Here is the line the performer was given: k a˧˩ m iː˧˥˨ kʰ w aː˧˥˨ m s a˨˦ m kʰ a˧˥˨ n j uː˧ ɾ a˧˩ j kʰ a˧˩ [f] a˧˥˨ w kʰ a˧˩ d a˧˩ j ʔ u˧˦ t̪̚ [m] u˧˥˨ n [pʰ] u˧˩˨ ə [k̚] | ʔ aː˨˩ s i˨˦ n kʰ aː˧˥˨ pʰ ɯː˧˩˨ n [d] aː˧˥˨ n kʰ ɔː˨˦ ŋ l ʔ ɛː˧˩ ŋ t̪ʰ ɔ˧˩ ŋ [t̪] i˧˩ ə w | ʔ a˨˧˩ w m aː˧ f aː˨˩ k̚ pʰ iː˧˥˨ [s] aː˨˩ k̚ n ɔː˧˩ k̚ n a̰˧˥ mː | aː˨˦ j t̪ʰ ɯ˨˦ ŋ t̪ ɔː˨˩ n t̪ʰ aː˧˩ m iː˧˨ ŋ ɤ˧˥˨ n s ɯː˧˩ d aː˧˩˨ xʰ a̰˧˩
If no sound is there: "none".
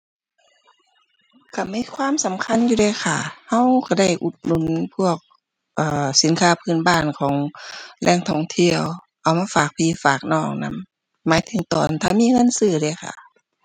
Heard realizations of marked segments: h, n, pʰ, k̚, b, t̪ʰ, f

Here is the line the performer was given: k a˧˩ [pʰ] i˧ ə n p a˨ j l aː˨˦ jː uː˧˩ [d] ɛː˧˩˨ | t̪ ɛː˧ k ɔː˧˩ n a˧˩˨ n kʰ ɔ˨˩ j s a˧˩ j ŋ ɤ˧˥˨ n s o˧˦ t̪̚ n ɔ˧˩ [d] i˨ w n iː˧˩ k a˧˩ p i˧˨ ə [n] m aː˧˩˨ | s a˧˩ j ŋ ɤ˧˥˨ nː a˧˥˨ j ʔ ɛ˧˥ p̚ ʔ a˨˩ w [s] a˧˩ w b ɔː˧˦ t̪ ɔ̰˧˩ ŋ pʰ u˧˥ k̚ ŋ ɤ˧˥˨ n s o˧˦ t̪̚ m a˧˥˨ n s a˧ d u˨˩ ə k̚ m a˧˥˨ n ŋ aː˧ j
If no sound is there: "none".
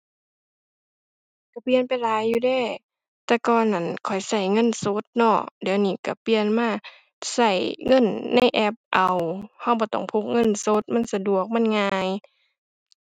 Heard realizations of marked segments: p, d, d, n, h

